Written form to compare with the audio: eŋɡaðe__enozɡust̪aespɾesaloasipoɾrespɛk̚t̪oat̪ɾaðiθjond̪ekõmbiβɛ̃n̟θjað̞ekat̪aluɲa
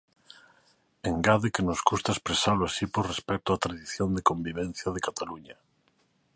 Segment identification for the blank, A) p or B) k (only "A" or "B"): B